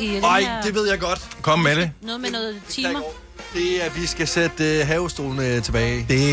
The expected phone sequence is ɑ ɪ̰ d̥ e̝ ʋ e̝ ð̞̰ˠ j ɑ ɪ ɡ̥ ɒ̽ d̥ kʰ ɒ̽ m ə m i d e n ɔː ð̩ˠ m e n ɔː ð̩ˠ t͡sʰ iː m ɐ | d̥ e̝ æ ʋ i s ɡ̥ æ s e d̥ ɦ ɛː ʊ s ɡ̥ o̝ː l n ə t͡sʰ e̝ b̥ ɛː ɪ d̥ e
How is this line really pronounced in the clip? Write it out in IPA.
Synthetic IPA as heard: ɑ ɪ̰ d̥ e̝ ʋ e̝ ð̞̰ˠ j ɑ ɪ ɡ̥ ɒ̽ d̥ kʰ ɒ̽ m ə m e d e n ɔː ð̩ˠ m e n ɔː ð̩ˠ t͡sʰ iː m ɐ | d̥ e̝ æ ʋ i s ɡ̥ æ s e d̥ ɦ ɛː ʊ s d̥ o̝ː l n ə t͡sʰ e̝ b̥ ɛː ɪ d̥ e